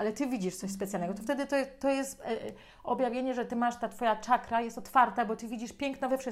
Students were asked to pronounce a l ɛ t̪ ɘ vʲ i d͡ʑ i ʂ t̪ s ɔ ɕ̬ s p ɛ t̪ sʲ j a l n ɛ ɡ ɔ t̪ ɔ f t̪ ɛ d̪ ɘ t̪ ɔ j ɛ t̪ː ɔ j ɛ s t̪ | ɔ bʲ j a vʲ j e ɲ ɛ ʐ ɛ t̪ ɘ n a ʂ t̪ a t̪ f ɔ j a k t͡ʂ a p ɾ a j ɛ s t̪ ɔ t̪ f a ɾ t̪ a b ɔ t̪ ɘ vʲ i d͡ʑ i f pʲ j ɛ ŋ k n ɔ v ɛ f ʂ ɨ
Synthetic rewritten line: a l ɛ t̪ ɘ vʲ i d͡ʑ i ʂ t̪ s ɔ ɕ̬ s p ɛ t̪ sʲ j a l n ɛ ɡ ɔ t̪ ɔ f t̪ ɛ d̪ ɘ t̪ ɔ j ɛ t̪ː ɔ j ɛ s t̪ | ɔ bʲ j a vʲ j e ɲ ɛ ʐ ɛ t̪ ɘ m a ʂ t̪ a t̪ f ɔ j a t͡ʂ a k ɾ a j ɛ s t̪ ɔ t̪ f a ɾ t̪ a b ɔ t̪ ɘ vʲ i d͡ʑ i ʂ pʲ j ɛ ŋ k n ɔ v ɛ f ʂ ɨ